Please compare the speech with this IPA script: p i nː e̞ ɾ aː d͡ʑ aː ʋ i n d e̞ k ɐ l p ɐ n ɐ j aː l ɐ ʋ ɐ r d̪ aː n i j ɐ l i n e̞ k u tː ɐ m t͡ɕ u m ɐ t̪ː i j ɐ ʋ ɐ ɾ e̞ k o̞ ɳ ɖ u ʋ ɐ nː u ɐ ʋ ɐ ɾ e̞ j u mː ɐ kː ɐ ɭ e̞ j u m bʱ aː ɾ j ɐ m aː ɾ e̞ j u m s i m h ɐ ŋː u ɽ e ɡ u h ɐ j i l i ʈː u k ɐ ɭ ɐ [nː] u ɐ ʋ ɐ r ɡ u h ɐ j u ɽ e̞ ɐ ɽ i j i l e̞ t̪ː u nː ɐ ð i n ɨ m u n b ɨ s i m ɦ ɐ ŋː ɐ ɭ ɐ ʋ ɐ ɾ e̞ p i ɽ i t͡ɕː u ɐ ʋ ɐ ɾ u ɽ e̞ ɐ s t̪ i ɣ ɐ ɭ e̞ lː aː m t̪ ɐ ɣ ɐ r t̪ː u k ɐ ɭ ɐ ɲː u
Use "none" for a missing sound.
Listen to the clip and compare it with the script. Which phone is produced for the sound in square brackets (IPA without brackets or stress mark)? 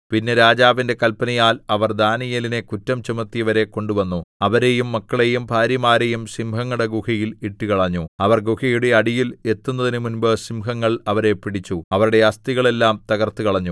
ɲː